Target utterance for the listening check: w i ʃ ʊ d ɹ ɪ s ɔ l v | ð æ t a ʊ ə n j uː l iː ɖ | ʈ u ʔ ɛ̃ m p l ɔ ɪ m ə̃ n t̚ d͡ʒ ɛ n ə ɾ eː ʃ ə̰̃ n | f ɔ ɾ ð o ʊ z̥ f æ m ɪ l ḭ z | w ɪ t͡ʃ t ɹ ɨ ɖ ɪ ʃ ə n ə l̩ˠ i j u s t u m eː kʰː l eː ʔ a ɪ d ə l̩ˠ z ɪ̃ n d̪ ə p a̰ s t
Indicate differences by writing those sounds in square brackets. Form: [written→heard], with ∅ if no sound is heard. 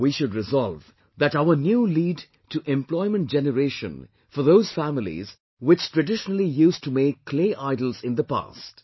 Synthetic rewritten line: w i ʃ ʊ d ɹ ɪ [s→z] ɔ l v | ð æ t a ʊ ə n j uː l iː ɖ | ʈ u ʔ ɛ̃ m p l ɔ ɪ m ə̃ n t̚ d͡ʒ ɛ n ə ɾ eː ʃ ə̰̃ n | f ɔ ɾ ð o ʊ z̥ f æ m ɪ l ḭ z | w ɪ t͡ʃ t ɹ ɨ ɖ ɪ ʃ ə n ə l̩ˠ i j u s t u m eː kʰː l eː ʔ a ɪ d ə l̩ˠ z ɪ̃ n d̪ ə p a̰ s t